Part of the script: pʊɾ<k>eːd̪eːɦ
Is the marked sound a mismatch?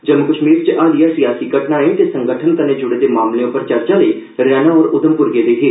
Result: yes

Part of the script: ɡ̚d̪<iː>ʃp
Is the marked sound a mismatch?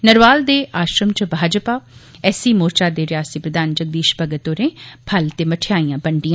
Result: no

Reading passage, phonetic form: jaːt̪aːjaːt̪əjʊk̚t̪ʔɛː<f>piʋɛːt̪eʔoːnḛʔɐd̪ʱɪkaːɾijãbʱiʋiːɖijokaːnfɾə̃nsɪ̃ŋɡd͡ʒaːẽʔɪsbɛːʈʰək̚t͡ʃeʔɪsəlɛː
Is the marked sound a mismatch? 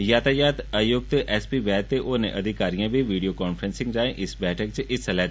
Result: yes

